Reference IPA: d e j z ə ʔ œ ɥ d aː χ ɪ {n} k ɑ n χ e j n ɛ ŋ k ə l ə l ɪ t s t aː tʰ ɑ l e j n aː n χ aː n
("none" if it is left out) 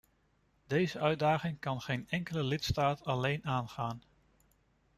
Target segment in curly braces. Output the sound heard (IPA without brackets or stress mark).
ŋ